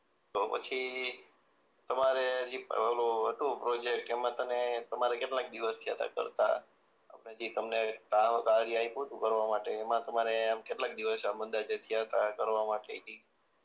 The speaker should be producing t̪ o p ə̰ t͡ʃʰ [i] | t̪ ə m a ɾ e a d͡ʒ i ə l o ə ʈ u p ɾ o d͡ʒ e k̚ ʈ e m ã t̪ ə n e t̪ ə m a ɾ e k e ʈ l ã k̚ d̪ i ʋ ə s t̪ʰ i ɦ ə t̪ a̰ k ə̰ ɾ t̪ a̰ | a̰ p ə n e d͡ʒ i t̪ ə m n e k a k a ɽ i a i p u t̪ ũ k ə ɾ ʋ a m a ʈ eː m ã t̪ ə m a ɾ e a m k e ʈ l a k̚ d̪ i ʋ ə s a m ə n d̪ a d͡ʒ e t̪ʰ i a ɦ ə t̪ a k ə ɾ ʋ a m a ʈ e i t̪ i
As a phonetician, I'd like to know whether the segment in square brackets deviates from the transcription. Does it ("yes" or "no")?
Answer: no